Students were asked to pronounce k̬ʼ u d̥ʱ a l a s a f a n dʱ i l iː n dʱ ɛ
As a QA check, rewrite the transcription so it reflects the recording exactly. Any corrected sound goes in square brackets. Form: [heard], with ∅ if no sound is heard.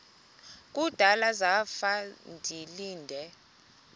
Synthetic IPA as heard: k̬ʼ u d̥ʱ a l a [z] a f a n dʱ i l iː n dʱ ɛ